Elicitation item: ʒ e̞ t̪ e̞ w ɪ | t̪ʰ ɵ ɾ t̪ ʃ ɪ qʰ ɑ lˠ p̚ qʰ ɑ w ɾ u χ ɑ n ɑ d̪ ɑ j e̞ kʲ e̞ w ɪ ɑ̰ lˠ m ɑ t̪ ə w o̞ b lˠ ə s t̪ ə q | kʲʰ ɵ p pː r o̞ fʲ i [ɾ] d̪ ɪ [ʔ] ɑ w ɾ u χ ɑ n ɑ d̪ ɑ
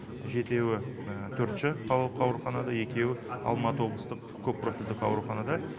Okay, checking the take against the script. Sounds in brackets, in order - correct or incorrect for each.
incorrect: l, incorrect: q

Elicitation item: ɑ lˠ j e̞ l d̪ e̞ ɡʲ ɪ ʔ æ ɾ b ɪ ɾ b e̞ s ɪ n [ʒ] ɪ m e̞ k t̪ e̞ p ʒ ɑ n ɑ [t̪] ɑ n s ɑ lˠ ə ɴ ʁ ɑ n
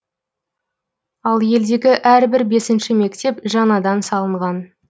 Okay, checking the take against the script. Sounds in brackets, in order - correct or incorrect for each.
incorrect: ʃ, incorrect: d̪

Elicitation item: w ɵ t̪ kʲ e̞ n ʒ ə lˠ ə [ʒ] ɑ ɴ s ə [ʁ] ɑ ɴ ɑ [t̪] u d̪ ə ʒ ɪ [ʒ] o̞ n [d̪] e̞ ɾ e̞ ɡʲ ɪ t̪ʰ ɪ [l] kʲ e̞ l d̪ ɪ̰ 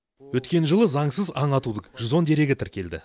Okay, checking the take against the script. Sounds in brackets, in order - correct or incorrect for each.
incorrect: z, incorrect: z, correct, incorrect: z, correct, incorrect: ɾ

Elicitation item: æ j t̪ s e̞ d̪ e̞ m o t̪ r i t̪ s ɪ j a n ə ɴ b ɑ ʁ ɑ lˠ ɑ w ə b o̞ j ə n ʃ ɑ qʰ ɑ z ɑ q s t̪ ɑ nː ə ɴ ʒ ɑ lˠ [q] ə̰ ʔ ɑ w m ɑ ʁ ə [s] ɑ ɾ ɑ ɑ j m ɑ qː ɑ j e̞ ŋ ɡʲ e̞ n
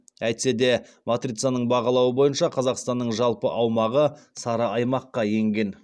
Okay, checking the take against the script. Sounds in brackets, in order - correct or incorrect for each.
incorrect: p, correct

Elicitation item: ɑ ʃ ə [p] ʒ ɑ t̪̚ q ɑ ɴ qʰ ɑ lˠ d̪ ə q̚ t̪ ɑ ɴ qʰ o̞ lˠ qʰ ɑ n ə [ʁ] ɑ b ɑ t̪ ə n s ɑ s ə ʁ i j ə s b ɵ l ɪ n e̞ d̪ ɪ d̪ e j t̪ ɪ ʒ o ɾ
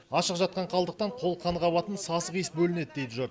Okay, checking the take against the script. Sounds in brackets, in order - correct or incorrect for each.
incorrect: q, correct

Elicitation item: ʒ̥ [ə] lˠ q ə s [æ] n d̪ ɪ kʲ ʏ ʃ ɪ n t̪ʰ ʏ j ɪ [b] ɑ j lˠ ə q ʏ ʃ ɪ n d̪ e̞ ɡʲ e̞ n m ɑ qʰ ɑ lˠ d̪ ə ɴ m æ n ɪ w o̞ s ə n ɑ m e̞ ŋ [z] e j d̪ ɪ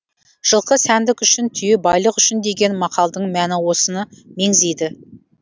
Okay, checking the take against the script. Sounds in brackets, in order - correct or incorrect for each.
correct, correct, correct, correct

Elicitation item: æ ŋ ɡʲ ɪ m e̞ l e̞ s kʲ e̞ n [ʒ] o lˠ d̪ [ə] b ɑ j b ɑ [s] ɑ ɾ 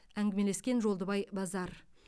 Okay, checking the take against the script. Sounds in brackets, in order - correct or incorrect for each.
correct, correct, incorrect: z

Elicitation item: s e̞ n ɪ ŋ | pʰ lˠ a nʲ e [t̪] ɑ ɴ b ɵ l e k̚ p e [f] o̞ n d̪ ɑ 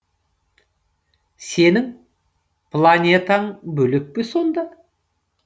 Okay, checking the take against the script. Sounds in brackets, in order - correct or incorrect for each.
correct, incorrect: s

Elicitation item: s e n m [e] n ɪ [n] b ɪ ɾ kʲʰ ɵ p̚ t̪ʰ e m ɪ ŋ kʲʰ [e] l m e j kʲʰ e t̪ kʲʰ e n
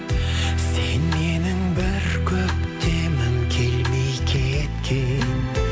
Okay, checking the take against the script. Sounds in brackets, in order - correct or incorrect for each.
correct, incorrect: ŋ, correct

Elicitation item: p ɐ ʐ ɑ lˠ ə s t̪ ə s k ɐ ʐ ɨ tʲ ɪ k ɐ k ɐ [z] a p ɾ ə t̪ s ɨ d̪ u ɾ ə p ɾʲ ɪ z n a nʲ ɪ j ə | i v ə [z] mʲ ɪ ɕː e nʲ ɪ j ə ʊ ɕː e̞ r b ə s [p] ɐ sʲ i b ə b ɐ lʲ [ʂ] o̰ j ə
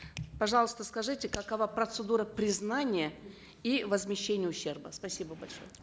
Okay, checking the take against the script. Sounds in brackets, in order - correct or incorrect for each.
incorrect: v, correct, correct, correct

